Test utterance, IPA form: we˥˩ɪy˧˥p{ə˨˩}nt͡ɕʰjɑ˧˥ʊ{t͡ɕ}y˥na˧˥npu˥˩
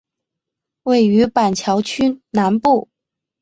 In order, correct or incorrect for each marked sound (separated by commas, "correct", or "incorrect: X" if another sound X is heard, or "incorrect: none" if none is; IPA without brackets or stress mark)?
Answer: incorrect: a˨˩, incorrect: t͡ɕʰ